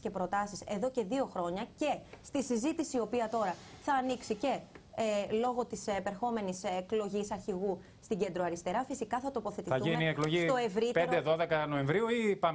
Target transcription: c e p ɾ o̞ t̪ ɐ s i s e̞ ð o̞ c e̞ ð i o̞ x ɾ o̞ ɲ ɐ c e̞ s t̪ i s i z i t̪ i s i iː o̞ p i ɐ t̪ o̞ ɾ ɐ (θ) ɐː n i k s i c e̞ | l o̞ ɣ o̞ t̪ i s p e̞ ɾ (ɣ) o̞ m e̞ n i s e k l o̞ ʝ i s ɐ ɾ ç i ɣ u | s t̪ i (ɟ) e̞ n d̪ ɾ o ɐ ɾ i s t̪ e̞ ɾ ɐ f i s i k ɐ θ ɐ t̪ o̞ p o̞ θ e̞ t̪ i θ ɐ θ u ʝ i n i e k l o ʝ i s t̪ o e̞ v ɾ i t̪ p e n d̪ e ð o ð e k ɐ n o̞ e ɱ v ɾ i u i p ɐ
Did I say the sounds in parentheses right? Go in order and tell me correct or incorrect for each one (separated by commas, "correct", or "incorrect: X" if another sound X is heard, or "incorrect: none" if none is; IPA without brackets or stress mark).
correct, incorrect: x, correct